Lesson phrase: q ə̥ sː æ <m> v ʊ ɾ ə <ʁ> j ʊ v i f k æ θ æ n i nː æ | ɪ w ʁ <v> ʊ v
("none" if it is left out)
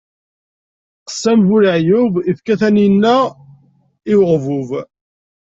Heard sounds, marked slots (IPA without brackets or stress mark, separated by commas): m, ʕ, v